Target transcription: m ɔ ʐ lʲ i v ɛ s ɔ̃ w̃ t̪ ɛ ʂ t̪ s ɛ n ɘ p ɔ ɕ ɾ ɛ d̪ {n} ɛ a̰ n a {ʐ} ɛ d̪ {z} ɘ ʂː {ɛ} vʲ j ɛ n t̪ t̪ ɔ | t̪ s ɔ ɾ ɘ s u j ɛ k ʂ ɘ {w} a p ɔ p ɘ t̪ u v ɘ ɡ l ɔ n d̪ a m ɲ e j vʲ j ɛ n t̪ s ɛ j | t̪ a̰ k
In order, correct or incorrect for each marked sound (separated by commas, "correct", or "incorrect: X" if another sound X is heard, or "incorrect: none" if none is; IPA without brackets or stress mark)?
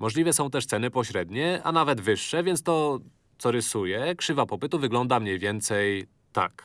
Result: incorrect: ɲ, incorrect: v, incorrect: v, correct, incorrect: v